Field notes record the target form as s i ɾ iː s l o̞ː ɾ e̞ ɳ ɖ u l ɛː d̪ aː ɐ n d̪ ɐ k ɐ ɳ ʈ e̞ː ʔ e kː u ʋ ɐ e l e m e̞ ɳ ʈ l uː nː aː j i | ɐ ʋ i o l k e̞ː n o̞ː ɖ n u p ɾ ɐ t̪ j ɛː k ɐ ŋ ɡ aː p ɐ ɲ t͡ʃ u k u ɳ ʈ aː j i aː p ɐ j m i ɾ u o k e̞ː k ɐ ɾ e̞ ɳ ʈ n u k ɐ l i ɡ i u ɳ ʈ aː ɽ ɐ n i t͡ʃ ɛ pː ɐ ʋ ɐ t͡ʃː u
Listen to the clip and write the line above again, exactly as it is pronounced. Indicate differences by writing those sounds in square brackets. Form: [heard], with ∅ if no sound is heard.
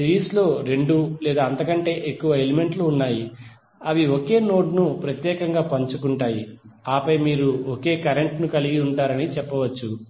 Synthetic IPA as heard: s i ɾ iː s l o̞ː ɾ e̞ ɳ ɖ u l ɛː d̪ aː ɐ n [t̪] ɐ k ɐ ɳ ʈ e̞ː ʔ e kː u ʋ ɐ e l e m e̞ ɳ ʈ l uː nː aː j i | ɐ ʋ i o [∅] k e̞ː n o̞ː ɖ n u p ɾ ɐ t̪ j ɛː k ɐ ŋ ɡ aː p ɐ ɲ t͡ʃ u k u ɳ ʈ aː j i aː p ɐ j m [iː] ɾ u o k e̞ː k ɐ ɾ e̞ ɳ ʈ n u k ɐ l i ɡ i u ɳ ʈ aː [ɾ] ɐ n i t͡ʃ ɛ pː ɐ ʋ ɐ t͡ʃː u